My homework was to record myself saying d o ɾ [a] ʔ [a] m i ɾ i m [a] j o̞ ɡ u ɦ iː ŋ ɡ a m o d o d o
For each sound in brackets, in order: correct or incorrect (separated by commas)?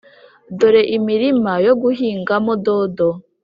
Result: incorrect, incorrect, correct